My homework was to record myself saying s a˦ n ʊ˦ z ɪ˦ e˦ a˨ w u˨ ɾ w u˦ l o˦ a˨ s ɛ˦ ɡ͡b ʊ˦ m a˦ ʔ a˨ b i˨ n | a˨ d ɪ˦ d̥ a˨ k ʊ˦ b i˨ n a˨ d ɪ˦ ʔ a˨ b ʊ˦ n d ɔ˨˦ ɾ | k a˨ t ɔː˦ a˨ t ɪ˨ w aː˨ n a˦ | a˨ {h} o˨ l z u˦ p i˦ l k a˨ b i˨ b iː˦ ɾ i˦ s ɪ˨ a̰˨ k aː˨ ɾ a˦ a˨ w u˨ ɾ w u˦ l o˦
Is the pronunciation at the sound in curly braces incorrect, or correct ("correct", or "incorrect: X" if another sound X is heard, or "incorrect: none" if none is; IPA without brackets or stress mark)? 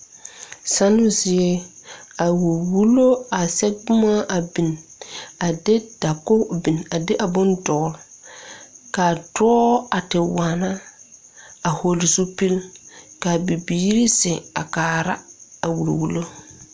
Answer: correct